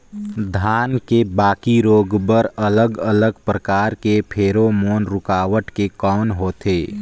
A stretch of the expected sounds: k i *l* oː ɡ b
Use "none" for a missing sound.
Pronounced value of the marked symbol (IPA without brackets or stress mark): ɾ